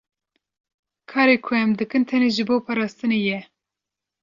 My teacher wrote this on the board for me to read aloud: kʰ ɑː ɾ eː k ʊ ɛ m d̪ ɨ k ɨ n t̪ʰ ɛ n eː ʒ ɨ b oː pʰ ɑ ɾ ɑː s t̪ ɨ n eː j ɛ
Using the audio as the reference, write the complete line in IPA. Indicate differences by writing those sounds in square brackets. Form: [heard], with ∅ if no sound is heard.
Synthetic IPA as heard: kʰ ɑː ɾ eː [kʰ] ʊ ɛ m d̪ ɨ k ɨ n t̪ʰ ɛ n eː ʒ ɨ b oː pʰ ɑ ɾ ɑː s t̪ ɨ n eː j ɛ